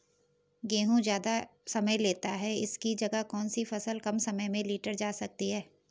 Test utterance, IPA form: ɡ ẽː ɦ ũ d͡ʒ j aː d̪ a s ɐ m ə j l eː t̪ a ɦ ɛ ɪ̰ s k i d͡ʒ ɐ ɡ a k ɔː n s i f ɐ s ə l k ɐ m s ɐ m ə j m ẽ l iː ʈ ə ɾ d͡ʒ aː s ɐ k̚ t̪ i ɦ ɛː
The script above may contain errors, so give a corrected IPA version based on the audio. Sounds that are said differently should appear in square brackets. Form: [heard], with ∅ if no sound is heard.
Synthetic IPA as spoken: ɡ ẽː ɦ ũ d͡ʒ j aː d̪ a s ɐ m ə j l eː t̪ a ɦ ɛ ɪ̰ s k i d͡ʒ ɐ ɡ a k ɔː n s i f ɐ s ə l k ɐ m s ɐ m ə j m ẽ l iː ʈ ə ɾ d͡ʒ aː s ɐ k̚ t̪ i ɦ ɛː